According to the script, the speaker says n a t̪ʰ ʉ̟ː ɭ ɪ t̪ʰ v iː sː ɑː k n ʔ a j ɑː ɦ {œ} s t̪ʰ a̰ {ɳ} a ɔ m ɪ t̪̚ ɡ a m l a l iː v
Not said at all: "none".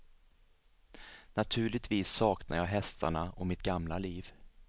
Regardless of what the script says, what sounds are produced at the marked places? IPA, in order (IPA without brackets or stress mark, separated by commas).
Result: ɛ, ɳ